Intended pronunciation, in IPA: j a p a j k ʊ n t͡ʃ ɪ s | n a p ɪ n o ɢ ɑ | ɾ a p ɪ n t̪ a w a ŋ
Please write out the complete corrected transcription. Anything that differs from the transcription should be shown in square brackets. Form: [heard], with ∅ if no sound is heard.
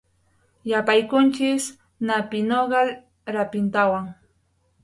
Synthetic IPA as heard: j a p a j k ʊ n t͡ʃ ɪ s | n a p ɪ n o ɢ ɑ | ɾ a p ɪ n t̪ a w a ŋ